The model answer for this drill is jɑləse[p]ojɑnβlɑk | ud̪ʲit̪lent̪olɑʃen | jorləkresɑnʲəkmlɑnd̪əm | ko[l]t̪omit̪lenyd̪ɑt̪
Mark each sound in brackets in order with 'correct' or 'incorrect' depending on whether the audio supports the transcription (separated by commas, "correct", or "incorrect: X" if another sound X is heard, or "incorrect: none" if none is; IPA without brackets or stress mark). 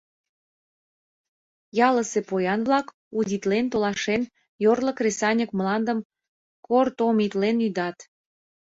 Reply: correct, incorrect: r